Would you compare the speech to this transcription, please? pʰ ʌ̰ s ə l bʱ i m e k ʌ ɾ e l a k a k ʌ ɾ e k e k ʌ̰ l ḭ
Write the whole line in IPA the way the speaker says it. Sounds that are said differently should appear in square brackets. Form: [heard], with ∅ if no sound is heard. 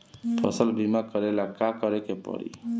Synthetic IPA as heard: pʰ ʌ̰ s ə l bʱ i m [a] k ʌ ɾ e l a k a k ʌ ɾ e k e [p] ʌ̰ [ɾ] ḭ